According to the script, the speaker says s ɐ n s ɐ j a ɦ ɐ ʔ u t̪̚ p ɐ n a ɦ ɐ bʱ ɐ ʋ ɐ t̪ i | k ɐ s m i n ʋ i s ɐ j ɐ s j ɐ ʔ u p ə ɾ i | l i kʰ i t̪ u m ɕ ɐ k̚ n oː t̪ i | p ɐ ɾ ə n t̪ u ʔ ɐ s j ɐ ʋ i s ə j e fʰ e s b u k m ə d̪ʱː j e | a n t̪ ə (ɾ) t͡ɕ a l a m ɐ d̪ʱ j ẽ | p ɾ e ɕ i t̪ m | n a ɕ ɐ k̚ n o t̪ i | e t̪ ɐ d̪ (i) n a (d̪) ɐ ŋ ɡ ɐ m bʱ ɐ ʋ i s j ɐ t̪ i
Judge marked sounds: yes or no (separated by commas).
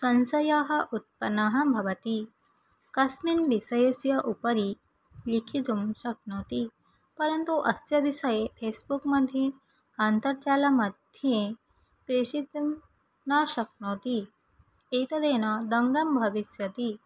yes, no, yes